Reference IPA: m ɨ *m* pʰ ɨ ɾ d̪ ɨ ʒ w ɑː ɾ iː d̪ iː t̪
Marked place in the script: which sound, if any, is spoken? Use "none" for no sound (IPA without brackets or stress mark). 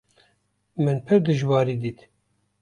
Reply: n